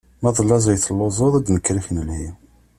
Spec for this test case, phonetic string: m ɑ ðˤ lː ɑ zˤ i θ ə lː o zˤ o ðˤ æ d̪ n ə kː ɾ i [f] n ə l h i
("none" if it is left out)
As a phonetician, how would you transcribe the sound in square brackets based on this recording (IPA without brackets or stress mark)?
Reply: f